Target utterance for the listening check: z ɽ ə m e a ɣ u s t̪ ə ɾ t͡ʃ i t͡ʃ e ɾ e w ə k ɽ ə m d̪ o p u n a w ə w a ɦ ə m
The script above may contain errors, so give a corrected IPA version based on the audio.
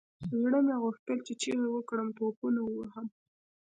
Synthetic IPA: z ɽ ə m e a ɣ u x t̪ ə l t͡ʃ e t͡ʃ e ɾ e w ə k ɽ ə m t̪ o p u n a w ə w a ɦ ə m